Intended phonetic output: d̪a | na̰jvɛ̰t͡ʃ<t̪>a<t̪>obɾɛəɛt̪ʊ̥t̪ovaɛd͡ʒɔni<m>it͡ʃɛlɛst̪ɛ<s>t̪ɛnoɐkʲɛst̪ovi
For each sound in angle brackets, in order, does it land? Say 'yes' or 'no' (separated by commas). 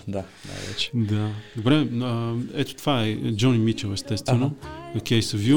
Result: no, no, yes, yes